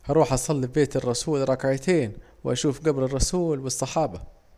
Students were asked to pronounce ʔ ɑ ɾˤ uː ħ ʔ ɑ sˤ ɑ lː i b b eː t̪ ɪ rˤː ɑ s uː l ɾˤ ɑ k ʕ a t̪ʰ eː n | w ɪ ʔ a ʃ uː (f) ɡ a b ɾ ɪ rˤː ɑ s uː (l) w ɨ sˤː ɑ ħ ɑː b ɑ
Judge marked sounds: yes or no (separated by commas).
yes, yes